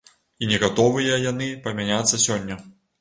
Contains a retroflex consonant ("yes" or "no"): no